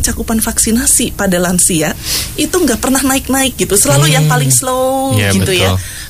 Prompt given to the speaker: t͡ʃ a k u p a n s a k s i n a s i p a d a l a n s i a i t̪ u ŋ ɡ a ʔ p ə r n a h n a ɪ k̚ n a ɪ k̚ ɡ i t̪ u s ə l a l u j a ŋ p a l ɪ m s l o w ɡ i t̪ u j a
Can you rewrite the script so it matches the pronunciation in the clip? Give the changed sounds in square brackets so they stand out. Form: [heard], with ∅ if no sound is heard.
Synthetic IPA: t͡ʃ a k u p a n [f] a k s i n a s i p a d a l a n s i a i t̪ u ŋ ɡ a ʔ p ə r n a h n a ɪ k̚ n a ɪ k̚ ɡ i t̪ u s ə l a l u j a ŋ p a l ɪ [ŋ] s l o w ɡ i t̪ u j a